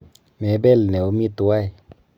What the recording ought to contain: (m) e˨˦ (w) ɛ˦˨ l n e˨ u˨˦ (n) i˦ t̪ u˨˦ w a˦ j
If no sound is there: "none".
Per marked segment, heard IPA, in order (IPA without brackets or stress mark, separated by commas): m, b, m